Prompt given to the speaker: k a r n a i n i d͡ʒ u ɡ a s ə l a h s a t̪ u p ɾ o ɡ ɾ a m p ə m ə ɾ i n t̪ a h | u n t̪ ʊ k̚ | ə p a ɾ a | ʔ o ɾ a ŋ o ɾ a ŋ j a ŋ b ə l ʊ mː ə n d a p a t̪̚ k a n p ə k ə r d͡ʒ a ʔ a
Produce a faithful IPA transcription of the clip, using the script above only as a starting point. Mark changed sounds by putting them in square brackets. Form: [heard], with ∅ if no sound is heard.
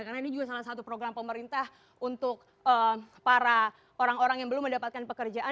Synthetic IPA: k a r n a i n i d͡ʒ u ɡ a s [a] l a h s a t̪ u p ɾ o ɡ ɾ a m p ə m ə ɾ i n t̪ a h | u n t̪ ʊ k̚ | ə p a ɾ a | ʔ o ɾ a ŋ o ɾ a ŋ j a ŋ b ə l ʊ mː ə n d a p a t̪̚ k a n p ə k ə r d͡ʒ a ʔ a